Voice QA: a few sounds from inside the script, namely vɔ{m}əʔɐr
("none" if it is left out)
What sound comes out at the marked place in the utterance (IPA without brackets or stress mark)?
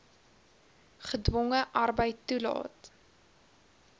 ŋ